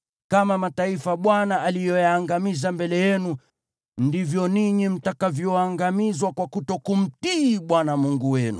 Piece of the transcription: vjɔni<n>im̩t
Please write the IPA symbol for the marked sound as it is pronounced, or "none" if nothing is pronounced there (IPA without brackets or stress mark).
ɲ